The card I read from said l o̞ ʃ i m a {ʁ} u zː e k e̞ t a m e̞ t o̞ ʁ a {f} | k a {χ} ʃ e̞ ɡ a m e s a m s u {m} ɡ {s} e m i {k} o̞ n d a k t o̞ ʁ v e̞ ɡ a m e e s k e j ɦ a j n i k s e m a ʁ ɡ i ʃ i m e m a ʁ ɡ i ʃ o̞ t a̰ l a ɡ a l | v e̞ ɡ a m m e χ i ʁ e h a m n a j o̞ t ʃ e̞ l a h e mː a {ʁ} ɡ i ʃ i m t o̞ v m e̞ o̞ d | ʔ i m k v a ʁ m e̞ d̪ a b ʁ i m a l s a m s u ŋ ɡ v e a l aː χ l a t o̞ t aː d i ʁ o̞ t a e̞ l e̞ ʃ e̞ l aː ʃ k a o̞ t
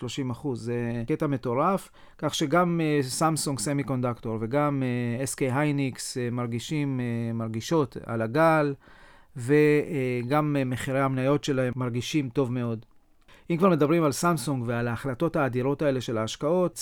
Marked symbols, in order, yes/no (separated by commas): no, yes, yes, no, yes, yes, yes